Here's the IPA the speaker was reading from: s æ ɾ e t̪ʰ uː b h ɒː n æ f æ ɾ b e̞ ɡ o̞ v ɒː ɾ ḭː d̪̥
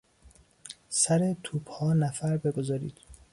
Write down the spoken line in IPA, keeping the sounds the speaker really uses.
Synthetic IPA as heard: s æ ɾ e t̪ʰ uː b h ɒː n æ f æ ɾ b e̞ ɡ o̞ z ɒː ɾ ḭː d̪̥